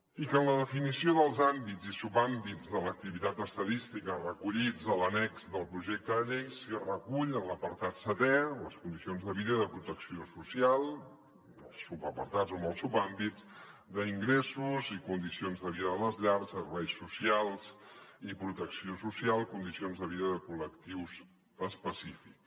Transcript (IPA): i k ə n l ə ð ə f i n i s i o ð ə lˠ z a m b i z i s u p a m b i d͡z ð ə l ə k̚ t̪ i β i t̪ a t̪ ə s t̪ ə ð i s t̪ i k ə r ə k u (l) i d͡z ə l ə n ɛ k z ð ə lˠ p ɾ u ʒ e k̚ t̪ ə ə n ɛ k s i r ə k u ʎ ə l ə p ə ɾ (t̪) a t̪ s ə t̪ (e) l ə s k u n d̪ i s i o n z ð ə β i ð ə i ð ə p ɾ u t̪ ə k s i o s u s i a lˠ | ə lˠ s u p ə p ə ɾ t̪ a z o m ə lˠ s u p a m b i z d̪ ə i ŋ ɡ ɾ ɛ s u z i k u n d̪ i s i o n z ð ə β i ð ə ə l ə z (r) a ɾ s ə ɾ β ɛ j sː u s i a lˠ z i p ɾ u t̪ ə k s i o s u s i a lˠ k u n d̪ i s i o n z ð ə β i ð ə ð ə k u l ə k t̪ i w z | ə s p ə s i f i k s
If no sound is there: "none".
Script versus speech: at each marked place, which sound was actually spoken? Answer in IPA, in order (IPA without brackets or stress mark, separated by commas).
ʎ, t̪, ɛ, ʎ